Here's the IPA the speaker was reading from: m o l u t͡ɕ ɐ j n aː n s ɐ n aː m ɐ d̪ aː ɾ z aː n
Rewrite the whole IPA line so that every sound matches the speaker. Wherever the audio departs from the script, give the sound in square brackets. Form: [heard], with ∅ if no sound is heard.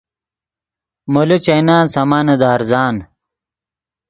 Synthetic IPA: m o l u t͡ɕ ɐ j n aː n s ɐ [m] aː [n] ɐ d̪ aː ɾ z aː n